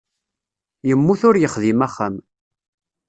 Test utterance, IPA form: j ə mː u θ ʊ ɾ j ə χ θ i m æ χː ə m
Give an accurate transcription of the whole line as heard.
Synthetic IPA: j ə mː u θ ʊ ɾ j ə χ ð i m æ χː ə m